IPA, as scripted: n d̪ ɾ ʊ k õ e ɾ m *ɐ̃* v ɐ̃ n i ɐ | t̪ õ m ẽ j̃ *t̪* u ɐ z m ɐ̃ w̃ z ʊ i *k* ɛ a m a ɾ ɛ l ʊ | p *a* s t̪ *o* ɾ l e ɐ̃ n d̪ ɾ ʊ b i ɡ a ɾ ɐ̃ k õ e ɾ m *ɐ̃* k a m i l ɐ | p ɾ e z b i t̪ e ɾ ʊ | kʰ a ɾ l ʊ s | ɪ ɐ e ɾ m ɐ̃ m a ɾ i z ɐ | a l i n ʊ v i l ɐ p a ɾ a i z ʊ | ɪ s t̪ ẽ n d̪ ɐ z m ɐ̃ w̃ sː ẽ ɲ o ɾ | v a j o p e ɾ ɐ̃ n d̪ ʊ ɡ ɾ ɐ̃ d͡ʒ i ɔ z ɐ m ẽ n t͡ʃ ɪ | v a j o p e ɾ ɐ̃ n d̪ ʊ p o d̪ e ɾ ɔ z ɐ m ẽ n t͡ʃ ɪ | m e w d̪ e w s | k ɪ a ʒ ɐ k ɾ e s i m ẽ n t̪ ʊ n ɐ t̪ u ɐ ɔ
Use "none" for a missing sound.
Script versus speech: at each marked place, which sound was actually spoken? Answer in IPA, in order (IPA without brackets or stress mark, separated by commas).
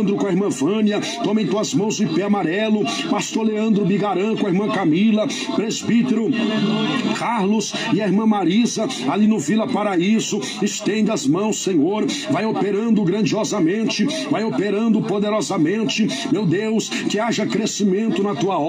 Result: ɐ̃, t̪, p, a, o, ɐ̃